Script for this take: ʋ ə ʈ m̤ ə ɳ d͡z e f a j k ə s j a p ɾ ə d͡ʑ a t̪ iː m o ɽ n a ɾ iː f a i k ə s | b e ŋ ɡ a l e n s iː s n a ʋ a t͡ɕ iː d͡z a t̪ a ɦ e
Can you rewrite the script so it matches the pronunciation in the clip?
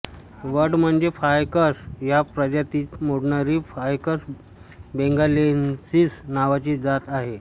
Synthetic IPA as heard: ʋ ə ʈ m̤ ə ɳ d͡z e f a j k ə s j a p ɾ ə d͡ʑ a t̪ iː m o ɽ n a ɾ iː f a j k ə s | b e ŋ ɡ a l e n s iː s n a ʋ a t͡ɕ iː d͡z a t̪ a ɦ e